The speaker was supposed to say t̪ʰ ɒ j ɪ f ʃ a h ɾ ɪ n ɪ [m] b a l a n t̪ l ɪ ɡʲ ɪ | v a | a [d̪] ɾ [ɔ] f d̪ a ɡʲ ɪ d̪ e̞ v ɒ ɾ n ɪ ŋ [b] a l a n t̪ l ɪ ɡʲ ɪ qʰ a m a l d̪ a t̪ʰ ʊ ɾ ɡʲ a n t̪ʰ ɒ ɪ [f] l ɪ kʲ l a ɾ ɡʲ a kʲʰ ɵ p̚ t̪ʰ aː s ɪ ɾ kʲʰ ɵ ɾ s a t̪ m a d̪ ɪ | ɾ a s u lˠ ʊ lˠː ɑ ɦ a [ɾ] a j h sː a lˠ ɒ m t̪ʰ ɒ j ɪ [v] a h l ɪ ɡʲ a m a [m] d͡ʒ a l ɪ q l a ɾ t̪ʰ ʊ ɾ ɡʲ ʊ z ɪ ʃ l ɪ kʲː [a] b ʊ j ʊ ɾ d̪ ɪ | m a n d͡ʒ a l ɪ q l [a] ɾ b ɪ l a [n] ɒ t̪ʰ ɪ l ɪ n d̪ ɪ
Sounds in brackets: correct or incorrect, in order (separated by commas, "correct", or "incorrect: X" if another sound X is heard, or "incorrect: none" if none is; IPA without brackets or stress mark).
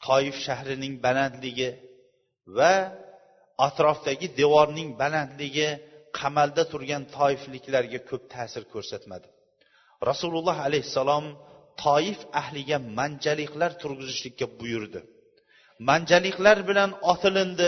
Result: incorrect: ŋ, incorrect: t̪, incorrect: ɒ, correct, correct, incorrect: l, incorrect: f, incorrect: n, correct, correct, correct